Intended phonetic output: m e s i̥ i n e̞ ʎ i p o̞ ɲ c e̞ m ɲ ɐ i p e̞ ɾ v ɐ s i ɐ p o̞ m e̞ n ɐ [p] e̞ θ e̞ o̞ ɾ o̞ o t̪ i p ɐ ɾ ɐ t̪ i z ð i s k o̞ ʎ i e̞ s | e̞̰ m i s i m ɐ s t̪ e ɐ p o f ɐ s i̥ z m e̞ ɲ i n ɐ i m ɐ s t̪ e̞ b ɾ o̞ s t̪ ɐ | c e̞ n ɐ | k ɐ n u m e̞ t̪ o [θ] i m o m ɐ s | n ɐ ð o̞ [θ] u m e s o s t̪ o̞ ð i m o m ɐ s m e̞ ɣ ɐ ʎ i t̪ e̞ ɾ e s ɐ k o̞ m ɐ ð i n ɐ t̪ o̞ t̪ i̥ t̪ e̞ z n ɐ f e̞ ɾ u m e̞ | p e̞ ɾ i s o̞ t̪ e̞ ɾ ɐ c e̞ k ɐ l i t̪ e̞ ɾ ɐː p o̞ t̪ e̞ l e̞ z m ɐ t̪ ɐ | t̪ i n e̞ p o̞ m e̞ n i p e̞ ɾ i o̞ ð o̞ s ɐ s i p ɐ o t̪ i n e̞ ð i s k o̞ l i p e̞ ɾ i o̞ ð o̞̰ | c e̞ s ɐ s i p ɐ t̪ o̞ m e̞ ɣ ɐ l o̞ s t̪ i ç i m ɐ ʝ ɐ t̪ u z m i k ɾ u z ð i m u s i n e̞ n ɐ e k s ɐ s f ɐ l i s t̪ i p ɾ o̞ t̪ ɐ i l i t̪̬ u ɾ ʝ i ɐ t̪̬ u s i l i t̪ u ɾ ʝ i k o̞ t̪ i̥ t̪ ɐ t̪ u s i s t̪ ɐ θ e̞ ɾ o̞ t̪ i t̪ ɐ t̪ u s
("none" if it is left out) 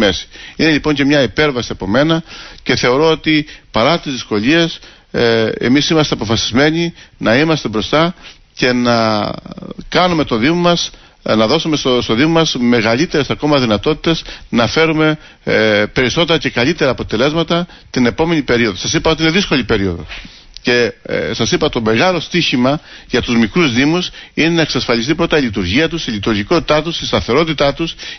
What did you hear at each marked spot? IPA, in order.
c, ð, s

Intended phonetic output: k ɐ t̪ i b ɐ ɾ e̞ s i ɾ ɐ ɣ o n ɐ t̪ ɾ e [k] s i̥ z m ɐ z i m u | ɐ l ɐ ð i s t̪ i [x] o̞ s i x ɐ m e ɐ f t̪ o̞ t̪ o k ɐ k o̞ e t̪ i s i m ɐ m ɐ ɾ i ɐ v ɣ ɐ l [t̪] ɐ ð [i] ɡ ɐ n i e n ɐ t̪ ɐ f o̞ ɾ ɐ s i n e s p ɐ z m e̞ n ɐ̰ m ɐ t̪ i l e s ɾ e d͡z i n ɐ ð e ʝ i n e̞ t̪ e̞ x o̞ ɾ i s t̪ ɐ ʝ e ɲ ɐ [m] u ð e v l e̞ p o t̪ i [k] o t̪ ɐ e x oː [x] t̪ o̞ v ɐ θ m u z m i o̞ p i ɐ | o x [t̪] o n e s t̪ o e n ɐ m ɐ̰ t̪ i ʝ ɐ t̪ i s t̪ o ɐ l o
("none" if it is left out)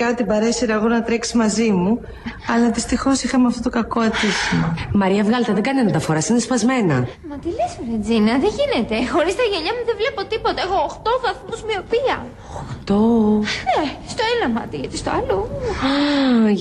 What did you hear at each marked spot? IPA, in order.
k, x, t̪, e, m, p, x, t̪

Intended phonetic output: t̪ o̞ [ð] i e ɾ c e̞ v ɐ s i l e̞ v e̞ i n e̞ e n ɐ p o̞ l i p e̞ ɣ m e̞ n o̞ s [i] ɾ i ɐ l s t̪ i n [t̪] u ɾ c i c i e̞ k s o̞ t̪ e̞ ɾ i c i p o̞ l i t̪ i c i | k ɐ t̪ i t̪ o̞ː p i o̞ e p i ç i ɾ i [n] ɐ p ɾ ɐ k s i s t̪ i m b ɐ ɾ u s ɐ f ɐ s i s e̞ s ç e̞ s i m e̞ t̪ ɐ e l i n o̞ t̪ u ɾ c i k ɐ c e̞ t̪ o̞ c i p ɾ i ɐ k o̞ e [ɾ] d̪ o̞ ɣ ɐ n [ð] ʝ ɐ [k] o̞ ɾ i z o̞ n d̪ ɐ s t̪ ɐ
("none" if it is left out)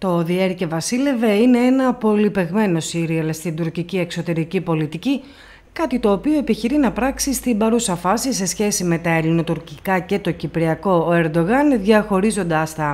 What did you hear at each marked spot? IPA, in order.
ð, i, d̪, n, ɾ, ð, x

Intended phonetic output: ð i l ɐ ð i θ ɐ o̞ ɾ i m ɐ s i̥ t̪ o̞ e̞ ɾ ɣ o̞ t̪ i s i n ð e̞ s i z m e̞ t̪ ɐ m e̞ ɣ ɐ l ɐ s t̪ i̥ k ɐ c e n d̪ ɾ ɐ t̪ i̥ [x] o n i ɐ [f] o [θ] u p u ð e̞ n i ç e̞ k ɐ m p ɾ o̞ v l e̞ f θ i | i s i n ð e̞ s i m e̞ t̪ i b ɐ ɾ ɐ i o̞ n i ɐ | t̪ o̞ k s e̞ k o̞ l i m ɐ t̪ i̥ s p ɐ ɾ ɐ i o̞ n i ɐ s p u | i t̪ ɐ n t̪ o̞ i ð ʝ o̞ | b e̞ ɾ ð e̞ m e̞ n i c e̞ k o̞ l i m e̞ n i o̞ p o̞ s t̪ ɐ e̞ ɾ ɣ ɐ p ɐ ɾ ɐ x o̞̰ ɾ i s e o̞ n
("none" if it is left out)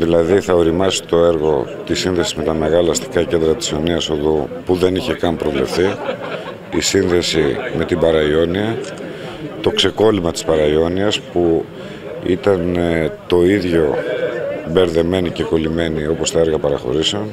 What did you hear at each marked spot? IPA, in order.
s, s, ð

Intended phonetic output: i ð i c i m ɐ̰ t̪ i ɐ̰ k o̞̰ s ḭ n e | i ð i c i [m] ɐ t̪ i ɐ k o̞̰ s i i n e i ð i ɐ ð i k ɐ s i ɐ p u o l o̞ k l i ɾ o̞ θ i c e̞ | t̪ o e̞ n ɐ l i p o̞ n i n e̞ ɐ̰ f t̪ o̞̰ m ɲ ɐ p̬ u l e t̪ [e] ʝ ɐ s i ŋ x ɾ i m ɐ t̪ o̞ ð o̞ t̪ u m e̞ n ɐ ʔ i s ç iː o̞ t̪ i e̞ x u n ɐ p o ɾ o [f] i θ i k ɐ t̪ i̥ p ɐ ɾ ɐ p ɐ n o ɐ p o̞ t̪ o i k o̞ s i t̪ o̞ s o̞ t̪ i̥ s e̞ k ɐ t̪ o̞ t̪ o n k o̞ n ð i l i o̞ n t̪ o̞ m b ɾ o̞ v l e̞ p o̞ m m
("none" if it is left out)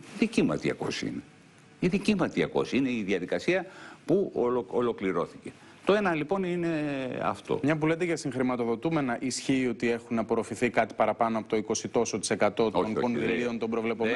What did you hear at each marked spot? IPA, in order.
m, e, f

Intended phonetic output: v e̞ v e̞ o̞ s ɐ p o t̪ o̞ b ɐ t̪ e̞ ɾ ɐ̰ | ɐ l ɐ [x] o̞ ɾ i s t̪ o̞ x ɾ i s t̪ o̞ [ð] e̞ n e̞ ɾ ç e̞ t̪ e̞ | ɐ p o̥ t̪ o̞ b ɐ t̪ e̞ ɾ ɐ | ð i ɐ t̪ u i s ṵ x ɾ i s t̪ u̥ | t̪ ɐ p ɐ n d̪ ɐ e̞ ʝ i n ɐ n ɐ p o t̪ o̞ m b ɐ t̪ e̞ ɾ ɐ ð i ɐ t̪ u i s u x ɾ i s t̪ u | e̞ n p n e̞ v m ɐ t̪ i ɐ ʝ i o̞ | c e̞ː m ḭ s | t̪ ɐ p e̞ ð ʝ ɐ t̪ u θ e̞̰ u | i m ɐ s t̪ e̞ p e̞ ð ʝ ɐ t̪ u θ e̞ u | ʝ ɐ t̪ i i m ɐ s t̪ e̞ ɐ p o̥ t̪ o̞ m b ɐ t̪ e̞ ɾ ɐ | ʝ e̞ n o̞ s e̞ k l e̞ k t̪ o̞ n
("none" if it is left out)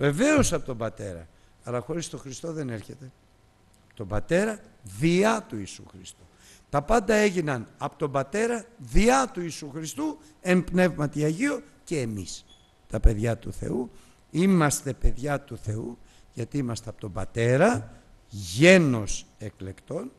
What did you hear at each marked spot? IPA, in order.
x, ð

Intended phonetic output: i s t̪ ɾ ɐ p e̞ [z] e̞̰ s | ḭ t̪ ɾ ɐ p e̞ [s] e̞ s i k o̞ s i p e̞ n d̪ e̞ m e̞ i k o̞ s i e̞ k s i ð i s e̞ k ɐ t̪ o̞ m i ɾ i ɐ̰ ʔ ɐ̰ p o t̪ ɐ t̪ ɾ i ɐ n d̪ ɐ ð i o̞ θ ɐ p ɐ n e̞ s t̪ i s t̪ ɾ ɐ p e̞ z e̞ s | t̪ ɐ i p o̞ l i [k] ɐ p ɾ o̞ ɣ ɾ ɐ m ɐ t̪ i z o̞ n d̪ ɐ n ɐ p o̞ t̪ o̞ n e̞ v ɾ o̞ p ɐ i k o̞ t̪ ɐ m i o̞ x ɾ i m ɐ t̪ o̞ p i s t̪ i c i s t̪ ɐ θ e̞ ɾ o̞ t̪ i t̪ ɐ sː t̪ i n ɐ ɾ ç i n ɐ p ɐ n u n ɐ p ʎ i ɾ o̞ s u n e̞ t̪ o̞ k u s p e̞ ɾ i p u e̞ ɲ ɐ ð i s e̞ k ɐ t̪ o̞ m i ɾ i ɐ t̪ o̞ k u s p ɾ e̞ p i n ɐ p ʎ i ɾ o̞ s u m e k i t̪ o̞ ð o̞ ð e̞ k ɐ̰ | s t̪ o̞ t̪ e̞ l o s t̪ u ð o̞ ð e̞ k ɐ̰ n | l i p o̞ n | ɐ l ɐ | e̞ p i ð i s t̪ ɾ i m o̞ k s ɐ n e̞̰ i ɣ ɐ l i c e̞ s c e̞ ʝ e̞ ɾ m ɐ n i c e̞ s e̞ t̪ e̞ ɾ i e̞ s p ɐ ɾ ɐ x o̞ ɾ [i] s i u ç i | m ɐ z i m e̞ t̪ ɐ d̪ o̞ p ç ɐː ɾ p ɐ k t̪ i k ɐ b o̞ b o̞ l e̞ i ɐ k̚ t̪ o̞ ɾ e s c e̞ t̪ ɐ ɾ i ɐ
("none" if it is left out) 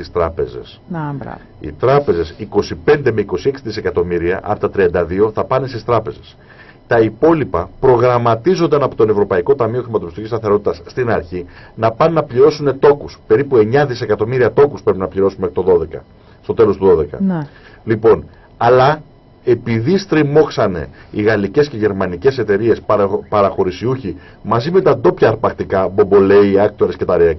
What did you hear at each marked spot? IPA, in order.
z, z, p, i

